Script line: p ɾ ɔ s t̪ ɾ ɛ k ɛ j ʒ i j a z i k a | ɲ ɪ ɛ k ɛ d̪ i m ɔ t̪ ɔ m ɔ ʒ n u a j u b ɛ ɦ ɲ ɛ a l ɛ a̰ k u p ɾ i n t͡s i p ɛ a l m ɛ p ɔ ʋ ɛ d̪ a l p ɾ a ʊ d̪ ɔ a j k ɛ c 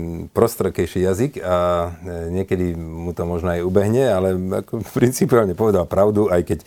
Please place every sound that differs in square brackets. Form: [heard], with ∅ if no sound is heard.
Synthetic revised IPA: p ɾ ɔ s t̪ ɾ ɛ k ɛ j [ʃ] i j a z i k a | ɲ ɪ ɛ k ɛ d̪ i m [u] t̪ ɔ m ɔ ʒ n [ɔ] a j u b ɛ ɦ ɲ ɛ a l ɛ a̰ k [ɔ] p ɾ i n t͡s i p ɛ a l [ɲ] ɛ p ɔ ʋ ɛ d̪ a l p ɾ a ʊ d̪ [u] a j k ɛ c